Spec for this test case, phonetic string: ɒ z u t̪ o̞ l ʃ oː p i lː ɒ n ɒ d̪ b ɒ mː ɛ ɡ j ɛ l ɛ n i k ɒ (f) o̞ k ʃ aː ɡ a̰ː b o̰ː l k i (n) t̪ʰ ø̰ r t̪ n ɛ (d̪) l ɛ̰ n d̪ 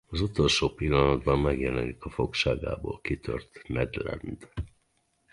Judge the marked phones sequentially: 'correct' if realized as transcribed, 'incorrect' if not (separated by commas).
correct, incorrect, correct